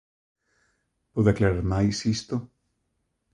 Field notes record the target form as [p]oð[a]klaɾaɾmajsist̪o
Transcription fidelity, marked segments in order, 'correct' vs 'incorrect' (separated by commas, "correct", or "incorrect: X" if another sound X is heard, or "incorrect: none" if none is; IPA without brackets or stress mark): correct, correct